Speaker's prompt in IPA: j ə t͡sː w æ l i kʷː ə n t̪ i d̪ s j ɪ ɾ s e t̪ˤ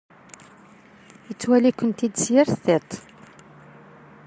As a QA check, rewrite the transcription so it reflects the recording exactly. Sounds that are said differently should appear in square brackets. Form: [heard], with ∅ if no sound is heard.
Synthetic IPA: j ə t͡sː w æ l i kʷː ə n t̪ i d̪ s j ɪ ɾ [θ] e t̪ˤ

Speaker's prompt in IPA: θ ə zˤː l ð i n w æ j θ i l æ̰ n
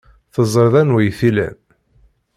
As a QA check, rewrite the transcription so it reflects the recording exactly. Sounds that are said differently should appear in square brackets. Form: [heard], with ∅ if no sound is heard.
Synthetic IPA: θ ə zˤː [ɾ] ð [æ] n w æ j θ i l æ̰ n

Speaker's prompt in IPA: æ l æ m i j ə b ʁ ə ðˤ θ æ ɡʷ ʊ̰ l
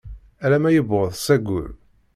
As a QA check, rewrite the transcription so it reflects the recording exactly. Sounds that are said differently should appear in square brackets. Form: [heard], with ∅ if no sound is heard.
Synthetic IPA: æ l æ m [æ] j ə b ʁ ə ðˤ [s] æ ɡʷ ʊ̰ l

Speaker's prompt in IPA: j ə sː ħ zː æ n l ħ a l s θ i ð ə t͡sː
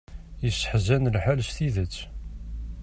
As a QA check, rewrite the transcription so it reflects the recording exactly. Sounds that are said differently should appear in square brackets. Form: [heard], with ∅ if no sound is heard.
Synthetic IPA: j ə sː ħ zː æ n l ħ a l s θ i ð ə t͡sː

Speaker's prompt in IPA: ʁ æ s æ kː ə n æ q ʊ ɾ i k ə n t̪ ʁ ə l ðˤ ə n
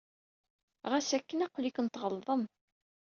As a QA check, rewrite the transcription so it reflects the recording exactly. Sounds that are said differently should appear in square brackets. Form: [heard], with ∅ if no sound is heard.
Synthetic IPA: ʁ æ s æ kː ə n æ q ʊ [l] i k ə n t̪ ʁ ə l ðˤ ə [m]

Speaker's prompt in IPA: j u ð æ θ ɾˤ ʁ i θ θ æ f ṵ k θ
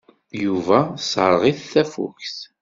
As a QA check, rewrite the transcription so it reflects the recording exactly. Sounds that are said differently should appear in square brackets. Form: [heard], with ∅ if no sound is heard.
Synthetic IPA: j u [v] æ [s] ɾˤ ʁ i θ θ æ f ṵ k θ

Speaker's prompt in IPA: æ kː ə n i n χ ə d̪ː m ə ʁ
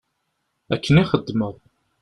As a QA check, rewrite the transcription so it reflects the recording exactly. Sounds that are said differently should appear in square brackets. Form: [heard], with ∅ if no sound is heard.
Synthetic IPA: æ kː ə n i [∅] χ ə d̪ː m ə ʁ

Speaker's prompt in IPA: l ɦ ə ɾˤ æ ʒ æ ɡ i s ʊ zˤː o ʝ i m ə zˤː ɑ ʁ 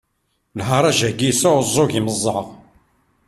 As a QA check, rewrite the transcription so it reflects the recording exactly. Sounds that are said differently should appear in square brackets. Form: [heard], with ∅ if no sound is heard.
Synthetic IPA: l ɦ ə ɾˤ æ ʒ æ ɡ i s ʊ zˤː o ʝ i m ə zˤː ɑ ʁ

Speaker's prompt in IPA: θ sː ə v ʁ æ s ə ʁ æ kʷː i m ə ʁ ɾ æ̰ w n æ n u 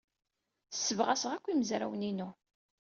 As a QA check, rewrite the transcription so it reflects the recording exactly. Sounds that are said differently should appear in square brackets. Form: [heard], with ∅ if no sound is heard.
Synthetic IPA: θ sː ə v ʁ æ s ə ʁ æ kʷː i m ə [z] ɾ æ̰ w n [i] n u

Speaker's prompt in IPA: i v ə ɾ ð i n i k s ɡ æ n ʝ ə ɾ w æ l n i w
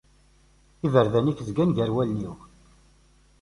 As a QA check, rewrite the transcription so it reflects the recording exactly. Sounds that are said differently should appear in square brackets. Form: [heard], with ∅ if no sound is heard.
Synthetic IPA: i v ə ɾ ð [æ] n i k [z] ɡ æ n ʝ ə ɾ w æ l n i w

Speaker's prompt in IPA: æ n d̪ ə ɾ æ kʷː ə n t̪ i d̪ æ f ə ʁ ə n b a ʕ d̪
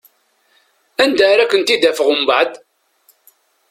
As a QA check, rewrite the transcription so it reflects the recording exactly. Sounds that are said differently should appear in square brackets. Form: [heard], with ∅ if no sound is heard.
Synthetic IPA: æ n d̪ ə ɾ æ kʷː ə n t̪ i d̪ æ f ə ʁ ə [m] b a ʕ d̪

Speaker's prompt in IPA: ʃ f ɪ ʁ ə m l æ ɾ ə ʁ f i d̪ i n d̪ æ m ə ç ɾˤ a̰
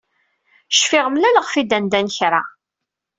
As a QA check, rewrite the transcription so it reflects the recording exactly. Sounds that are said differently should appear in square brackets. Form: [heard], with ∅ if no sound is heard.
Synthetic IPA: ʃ f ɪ ʁ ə m l æ [l] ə ʁ f i d̪ [æ] n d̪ æ [n] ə ç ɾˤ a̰

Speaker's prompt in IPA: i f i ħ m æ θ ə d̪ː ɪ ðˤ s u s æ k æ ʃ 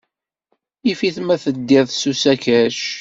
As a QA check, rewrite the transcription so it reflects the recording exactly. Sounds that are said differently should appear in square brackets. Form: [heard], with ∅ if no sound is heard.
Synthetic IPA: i f i [θ] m æ θ ə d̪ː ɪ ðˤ s u s æ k æ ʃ

